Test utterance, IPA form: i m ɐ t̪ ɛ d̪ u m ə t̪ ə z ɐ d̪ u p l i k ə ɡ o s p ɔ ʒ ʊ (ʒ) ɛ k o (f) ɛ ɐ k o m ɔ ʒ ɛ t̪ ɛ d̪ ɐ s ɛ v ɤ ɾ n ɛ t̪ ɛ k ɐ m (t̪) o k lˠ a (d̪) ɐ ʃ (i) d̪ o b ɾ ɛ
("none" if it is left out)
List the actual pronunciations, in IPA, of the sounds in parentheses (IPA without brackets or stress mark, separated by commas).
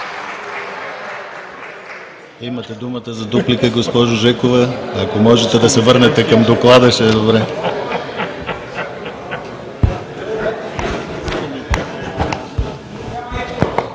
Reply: ʒ, v, d̪, d̪, ɛ